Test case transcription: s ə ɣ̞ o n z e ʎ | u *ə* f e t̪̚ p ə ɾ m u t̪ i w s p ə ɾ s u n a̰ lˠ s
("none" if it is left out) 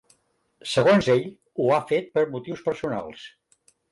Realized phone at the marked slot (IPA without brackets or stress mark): a